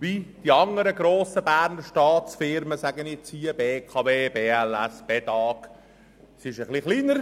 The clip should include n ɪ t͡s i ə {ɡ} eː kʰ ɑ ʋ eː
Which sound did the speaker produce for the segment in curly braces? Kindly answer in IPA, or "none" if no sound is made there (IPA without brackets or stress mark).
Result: b